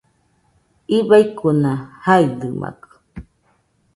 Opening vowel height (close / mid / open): close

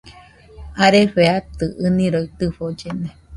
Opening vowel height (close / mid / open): open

